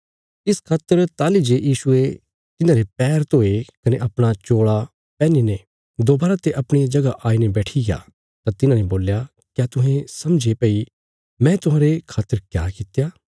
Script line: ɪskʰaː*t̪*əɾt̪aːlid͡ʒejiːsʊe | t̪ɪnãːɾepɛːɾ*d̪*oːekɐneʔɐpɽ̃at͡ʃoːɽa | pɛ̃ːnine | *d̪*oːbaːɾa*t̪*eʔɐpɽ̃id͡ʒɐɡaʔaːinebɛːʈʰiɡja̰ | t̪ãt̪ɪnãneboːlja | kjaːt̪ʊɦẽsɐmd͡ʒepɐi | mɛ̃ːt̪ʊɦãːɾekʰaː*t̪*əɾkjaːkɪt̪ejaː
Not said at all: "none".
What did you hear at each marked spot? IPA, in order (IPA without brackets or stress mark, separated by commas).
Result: t̪, t̪, d̪, t̪, t̪